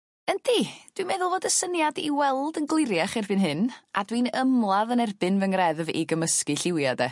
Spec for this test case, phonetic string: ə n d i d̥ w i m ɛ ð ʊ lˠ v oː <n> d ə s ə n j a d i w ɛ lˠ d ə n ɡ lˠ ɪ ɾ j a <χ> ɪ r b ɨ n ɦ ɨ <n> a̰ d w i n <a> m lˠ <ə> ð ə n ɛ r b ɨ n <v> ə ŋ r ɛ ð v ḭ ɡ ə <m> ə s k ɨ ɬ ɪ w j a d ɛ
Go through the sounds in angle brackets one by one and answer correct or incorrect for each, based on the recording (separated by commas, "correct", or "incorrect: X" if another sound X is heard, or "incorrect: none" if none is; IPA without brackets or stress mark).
incorrect: none, correct, correct, incorrect: ə, incorrect: a, correct, correct